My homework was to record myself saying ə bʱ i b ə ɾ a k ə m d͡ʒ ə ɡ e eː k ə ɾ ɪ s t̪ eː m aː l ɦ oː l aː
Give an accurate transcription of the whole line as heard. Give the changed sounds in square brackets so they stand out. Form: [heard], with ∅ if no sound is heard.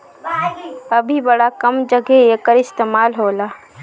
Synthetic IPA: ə bʱ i b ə [ɽ] a k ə m d͡ʒ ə ɡ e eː k ə ɾ ɪ s t̪ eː m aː l ɦ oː l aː